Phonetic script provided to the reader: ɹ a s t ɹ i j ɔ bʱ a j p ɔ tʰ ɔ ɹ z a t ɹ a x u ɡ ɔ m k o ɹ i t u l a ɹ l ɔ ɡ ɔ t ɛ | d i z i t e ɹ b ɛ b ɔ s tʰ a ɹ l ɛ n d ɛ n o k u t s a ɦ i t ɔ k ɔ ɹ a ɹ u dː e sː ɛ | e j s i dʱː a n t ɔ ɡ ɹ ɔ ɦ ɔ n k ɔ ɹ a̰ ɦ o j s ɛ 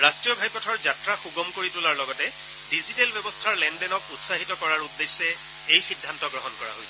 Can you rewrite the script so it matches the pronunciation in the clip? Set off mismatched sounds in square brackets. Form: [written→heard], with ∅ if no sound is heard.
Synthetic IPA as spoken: ɹ a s t ɹ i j ɔ bʱ a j p ɔ tʰ ɔ ɹ z a t ɹ a x u ɡ ɔ m k o ɹ i t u l a ɹ l ɔ ɡ ɔ t ɛ | d i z i t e [ɹ→l] b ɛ b ɔ s tʰ a ɹ l ɛ n d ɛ n [o→ɔ] k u t s a ɦ i t ɔ k ɔ ɹ a ɹ u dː e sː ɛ | e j [s→x] i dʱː a n t ɔ ɡ ɹ ɔ ɦ ɔ n k ɔ ɹ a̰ ɦ o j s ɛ